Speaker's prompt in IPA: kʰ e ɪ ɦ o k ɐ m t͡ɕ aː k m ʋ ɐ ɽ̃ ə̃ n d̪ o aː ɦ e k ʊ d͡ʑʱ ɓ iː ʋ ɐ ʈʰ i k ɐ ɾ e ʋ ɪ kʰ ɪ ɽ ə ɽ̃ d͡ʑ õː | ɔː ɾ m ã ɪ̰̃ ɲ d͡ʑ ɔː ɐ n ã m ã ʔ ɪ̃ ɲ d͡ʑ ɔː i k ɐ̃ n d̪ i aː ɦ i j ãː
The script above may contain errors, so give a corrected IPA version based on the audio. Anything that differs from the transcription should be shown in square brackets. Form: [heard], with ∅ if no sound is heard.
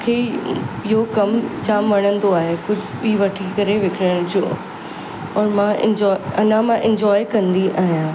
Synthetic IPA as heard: kʰ e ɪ ɦ o k ɐ m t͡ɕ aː [∅] m ʋ ɐ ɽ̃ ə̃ n d̪ o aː ɦ e k ʊ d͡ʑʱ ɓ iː ʋ ɐ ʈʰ i k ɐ ɾ e ʋ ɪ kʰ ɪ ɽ ə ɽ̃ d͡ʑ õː | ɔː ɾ m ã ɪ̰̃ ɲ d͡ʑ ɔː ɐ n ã m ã ʔ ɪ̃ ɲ d͡ʑ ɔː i k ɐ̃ n d̪ i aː ɦ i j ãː